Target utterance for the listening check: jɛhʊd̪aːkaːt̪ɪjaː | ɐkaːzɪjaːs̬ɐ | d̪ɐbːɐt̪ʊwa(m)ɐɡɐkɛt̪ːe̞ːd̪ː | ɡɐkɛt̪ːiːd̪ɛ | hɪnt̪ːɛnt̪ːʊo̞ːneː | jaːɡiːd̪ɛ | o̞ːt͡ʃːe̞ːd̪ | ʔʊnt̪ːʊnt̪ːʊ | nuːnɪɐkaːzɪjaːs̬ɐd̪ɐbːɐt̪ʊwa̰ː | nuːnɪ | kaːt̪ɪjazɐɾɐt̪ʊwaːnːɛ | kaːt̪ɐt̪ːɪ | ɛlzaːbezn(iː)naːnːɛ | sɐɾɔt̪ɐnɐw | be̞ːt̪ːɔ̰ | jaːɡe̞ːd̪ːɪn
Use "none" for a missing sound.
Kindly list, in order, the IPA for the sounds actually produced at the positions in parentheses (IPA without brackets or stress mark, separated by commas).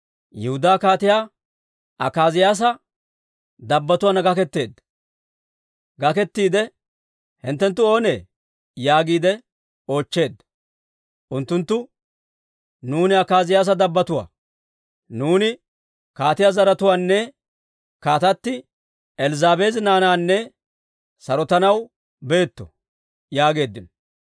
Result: n, aː